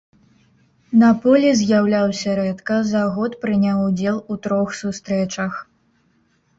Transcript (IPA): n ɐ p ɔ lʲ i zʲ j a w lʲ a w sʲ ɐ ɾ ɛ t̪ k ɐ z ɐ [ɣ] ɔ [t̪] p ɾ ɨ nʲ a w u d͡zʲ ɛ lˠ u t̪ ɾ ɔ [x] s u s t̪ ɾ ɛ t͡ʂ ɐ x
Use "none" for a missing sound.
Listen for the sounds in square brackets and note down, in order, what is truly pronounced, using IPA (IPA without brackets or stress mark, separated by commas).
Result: ɣ, t̪, x